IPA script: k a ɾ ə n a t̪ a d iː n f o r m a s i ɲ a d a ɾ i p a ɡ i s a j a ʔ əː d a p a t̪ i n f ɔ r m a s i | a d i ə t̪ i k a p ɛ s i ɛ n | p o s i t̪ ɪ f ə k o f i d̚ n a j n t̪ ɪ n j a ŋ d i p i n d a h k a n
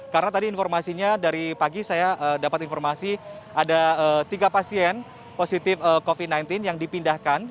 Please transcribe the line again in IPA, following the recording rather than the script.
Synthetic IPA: k a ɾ ə n a t̪ a d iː n f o r m a s i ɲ a d a ɾ i p a ɡ i s a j a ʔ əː d a p a t̪ i n f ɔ r m a s i | a d a ə t̪ i ɡ a p a s i ɛ n | p o s i t̪ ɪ f ə k o f i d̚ n a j n t̪ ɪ n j a ŋ d i p i n d a h k a n